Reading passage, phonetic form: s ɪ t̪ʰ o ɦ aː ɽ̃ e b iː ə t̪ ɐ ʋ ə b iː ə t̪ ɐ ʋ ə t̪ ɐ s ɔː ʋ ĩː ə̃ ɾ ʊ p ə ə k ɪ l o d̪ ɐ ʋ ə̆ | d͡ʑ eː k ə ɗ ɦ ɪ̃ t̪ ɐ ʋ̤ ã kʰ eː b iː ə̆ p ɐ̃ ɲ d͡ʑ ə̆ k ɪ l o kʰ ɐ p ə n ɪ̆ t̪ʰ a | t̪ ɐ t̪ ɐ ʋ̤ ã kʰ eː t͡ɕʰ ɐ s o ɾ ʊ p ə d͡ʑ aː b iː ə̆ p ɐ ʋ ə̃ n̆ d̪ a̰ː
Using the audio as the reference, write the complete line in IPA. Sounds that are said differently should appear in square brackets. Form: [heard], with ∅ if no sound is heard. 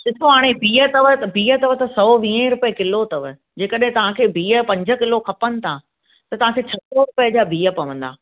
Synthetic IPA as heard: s ɪ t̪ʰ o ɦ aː ɽ̃ e b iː ə t̪ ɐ ʋ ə b iː ə t̪ ɐ ʋ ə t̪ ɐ s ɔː ʋ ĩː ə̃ ɾ ʊ p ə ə k ɪ l o [t̪] ɐ ʋ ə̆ | d͡ʑ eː k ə ɗ ɦ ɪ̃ t̪ ɐ ʋ̤ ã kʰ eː b iː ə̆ p ɐ̃ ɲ d͡ʑ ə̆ k ɪ l o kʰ ɐ p ə n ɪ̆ t̪ʰ a | t̪ ɐ t̪ ɐ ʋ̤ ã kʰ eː t͡ɕʰ ɐ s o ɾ ʊ p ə d͡ʑ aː b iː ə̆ p ɐ ʋ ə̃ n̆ d̪ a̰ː